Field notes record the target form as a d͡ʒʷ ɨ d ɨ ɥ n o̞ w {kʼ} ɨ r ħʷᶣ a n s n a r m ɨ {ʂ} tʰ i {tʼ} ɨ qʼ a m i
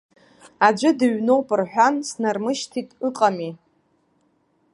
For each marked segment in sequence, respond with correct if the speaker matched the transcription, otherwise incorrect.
incorrect, incorrect, correct

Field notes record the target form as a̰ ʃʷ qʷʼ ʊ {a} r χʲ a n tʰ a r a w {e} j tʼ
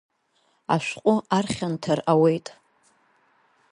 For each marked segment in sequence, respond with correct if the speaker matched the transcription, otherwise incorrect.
correct, correct

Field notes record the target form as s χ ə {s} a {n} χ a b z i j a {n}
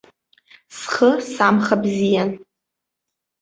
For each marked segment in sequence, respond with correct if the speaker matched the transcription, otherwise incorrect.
correct, incorrect, correct

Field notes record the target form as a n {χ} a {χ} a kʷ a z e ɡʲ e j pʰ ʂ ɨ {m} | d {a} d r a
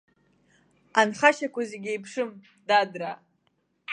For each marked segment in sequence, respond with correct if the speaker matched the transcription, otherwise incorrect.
correct, incorrect, correct, correct

